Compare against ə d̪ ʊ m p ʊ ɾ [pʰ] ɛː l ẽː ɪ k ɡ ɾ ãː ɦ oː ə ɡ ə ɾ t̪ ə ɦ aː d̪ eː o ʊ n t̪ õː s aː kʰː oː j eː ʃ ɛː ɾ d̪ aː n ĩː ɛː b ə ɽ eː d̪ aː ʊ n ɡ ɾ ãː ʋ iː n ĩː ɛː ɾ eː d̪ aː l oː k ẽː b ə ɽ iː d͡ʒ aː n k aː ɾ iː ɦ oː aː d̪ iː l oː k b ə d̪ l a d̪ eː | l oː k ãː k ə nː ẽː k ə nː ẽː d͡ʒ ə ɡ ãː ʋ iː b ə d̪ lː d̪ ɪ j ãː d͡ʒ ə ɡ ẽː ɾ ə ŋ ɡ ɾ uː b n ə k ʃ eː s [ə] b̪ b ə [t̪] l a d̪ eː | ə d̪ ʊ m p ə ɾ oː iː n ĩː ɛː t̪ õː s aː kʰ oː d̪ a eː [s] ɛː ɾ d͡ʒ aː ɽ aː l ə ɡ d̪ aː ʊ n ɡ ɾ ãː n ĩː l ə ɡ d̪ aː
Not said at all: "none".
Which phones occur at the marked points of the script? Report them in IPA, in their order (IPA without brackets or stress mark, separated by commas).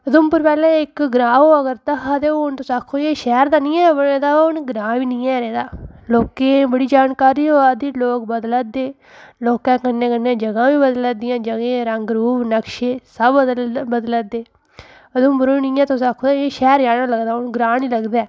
p, ə, d̪, ʃ